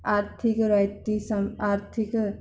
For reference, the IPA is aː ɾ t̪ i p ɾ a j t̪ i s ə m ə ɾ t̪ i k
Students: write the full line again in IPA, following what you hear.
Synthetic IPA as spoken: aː ɾ t̪ʰ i k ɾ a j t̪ i s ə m a ɾ t̪ʰ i k